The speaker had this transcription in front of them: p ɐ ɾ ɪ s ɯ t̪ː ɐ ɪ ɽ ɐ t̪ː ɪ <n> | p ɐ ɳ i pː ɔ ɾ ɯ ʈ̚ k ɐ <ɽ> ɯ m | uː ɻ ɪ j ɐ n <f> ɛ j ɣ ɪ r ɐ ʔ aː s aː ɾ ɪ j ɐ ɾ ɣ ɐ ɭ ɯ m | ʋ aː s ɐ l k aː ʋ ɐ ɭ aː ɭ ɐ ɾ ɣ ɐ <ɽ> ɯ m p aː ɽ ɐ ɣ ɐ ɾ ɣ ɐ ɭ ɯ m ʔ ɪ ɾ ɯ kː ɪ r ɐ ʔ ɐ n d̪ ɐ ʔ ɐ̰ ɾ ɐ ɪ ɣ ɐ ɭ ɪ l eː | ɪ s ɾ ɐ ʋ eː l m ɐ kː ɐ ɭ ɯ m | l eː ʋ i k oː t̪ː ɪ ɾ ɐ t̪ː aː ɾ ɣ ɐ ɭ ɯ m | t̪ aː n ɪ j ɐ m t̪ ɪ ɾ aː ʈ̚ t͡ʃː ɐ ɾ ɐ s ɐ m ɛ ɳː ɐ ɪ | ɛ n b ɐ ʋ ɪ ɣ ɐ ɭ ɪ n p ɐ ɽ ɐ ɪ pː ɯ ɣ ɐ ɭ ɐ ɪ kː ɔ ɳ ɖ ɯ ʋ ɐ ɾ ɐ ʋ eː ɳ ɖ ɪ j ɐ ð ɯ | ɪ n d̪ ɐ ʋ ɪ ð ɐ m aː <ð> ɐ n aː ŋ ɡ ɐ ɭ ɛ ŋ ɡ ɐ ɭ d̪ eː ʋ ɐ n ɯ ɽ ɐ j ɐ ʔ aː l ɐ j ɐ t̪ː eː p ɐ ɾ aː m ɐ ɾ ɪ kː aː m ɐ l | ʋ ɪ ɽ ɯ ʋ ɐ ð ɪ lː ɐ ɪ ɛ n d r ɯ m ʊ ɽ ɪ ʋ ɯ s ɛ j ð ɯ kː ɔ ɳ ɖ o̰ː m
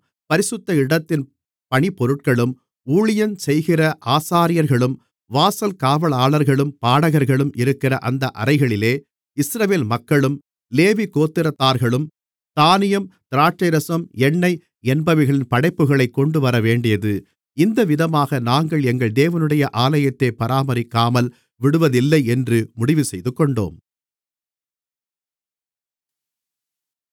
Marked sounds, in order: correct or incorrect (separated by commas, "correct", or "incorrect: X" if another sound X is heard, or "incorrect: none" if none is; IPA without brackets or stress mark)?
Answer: correct, incorrect: ɭ, incorrect: s, incorrect: ɭ, incorrect: ɣ